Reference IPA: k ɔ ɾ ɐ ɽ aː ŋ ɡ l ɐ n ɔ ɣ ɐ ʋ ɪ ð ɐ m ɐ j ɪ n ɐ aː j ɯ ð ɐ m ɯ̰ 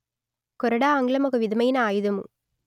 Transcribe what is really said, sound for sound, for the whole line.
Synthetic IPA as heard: k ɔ ɾ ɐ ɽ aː ŋ ɡ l ɐ m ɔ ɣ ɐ ʋ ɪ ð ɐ m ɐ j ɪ n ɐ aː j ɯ ð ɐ m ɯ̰